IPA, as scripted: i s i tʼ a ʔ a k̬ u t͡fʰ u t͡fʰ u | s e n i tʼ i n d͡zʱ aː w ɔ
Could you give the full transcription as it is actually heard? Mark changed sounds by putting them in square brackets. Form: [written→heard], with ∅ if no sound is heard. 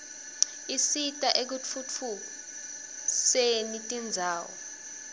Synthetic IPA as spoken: i s i tʼ a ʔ [a→e] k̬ u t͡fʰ u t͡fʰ u | s e n i tʼ i n d͡zʱ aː w ɔ

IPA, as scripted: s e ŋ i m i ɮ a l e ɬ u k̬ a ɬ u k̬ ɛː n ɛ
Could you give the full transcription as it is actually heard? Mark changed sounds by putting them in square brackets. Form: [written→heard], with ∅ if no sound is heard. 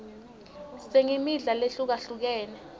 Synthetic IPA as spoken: s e ŋ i m i ɮ a l e ɬ u k̬ a ɬ u k̬ ɛː n ɛ

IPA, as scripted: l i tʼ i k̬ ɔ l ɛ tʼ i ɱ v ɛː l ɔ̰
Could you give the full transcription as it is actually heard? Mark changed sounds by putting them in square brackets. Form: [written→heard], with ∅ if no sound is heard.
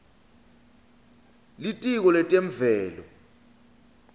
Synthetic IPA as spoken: l i tʼ i k̬ ɔ l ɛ tʼ [i→e] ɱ v ɛː l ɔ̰

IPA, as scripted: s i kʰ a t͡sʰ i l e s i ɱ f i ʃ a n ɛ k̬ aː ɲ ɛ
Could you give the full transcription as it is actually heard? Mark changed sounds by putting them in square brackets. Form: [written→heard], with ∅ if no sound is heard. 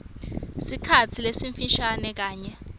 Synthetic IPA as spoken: s i kʰ a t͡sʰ i l e s i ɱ f i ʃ a n ɛ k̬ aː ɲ ɛ

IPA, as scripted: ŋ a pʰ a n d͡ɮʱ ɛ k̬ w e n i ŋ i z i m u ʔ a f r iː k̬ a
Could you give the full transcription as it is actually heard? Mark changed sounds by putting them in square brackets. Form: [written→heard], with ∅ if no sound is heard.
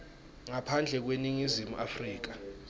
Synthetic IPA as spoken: ŋ a pʰ a n d͡ɮʱ ɛ k̬ w e n i ŋ i z i m u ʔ a f r iː k̬ a

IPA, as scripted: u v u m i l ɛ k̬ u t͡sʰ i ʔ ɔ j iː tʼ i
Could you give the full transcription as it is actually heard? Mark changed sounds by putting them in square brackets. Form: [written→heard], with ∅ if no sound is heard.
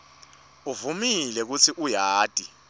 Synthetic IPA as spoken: u v u m i l ɛ k̬ u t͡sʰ i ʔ [ɔ→u] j [iː→aː] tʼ i

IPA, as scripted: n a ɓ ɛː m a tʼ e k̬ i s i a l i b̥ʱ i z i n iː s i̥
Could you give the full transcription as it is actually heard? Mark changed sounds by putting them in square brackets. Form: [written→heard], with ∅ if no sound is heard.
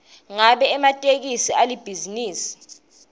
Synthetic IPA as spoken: [n→ŋ] a ɓ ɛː m a tʼ e k̬ i s i a l i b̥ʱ i z i n iː s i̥

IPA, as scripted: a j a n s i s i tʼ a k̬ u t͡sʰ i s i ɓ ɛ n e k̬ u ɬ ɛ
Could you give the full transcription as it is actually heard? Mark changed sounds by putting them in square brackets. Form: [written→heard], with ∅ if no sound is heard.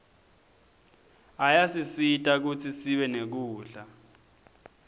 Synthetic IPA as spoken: a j a [n→∅] s i s i tʼ a k̬ u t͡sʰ i s i ɓ ɛ n e k̬ [u→uː] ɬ [ɛ→a]

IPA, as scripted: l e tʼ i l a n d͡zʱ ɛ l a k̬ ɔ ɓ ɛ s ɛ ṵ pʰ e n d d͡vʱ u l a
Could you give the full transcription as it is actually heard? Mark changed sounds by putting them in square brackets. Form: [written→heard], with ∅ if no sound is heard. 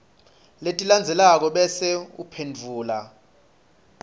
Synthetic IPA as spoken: l e tʼ i l a n d͡zʱ ɛ l a k̬ ɔ ɓ ɛ s ɛ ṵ pʰ e n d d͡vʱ [u→uː] l a

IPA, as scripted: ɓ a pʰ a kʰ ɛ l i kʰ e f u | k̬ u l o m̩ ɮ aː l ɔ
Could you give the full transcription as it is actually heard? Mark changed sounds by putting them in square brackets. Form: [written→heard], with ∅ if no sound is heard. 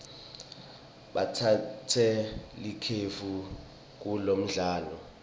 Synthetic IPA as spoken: ɓ a [pʰ→tʰ] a [kʰ→tʰ] ɛ l i kʰ e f u | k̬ u l o m̩ ɮ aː l ɔ

